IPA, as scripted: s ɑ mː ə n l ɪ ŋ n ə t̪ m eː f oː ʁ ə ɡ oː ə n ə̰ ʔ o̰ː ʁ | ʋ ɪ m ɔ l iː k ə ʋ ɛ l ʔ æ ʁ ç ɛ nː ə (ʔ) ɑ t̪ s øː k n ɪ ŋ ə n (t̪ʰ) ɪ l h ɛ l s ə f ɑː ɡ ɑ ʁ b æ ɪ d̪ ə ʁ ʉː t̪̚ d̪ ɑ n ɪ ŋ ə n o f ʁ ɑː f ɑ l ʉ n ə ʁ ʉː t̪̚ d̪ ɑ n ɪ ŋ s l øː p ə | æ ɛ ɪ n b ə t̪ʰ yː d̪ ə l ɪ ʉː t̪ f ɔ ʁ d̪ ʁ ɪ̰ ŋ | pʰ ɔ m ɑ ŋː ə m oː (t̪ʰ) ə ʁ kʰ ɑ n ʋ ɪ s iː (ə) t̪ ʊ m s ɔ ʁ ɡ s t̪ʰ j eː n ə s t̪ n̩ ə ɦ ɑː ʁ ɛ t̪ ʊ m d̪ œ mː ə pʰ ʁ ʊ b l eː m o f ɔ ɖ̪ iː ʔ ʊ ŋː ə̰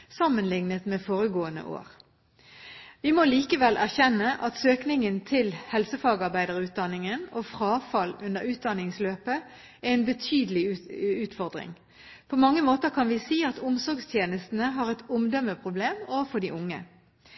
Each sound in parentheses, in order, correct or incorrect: correct, correct, incorrect, incorrect

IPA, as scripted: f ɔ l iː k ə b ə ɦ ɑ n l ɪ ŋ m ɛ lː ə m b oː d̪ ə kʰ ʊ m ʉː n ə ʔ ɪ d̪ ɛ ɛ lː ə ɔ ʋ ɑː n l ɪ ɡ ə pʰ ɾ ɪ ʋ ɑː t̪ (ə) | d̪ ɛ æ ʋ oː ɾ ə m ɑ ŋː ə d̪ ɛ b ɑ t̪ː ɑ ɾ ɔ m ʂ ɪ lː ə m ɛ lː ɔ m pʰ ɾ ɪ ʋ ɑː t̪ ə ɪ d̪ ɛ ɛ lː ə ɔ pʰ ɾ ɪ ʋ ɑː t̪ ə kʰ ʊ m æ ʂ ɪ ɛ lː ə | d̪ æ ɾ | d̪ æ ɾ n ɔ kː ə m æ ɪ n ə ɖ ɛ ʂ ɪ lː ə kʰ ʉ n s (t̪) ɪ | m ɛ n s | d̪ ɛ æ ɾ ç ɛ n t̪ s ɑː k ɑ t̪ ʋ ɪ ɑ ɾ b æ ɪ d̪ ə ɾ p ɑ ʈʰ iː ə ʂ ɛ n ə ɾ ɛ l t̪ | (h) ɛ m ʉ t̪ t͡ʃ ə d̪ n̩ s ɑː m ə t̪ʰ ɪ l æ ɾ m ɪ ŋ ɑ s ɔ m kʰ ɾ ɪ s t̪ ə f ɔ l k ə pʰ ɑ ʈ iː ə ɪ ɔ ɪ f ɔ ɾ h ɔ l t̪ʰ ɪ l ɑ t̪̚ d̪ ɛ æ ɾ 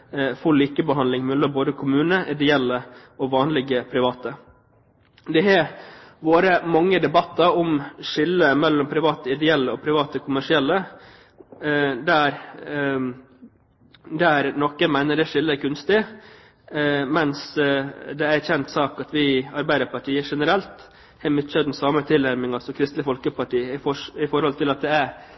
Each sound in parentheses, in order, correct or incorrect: correct, correct, correct

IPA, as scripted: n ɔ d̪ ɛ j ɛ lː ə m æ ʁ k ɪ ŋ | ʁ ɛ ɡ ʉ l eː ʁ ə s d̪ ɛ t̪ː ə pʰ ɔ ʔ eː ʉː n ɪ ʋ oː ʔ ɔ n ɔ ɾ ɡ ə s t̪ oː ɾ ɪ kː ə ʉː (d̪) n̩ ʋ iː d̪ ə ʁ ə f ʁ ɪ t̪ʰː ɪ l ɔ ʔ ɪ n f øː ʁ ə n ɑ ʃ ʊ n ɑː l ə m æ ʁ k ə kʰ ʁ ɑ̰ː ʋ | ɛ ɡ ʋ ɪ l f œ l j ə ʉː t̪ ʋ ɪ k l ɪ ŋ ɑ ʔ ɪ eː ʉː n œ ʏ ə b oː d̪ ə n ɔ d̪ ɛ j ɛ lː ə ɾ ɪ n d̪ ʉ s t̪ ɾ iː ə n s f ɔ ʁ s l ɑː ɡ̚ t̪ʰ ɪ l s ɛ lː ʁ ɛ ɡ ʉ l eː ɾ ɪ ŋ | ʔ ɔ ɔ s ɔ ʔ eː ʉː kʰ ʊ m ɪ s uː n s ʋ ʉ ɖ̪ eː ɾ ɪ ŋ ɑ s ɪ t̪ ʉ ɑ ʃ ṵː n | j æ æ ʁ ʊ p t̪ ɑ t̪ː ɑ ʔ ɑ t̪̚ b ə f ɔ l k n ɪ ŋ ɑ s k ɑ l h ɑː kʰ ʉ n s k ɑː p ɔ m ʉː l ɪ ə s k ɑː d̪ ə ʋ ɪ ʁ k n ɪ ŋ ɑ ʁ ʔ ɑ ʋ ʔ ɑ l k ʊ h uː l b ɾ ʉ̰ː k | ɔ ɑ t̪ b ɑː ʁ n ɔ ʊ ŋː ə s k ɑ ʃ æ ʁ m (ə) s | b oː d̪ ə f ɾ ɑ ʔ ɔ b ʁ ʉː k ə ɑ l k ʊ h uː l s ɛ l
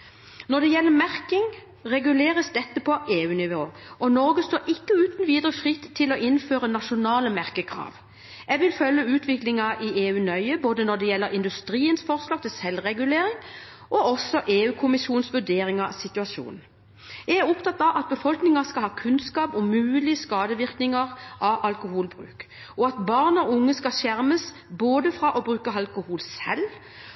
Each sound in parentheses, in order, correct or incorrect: incorrect, correct

